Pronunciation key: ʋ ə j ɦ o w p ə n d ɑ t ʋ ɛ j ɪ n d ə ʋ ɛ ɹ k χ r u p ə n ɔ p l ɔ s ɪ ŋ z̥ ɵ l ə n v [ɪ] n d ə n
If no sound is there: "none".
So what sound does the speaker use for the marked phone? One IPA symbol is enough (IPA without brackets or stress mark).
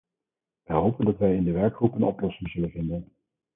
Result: ɪ